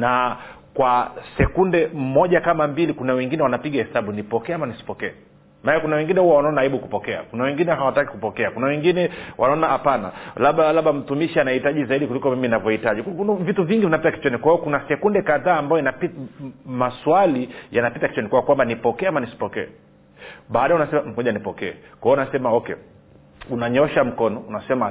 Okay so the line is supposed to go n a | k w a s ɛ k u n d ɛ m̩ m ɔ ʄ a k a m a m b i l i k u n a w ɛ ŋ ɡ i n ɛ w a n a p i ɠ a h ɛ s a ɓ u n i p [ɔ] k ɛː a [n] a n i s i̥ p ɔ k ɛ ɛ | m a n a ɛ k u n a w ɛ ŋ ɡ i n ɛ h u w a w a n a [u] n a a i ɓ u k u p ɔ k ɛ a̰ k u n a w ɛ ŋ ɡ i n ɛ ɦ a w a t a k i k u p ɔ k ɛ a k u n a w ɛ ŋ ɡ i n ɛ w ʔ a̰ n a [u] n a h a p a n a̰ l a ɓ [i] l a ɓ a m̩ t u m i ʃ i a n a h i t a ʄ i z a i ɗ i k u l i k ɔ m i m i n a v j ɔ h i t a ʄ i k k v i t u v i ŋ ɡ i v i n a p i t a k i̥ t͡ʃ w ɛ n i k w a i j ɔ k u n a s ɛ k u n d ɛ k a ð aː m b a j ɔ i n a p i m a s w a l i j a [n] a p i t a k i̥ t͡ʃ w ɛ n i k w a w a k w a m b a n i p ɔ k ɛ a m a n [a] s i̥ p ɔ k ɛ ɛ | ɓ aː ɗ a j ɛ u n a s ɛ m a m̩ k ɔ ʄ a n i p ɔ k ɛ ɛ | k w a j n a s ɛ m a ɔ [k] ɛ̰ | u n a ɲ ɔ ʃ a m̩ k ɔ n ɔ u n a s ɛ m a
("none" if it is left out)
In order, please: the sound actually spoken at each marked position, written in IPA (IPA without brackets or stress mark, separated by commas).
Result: ɔ, m, ɔ, ɔ, a, n, i, k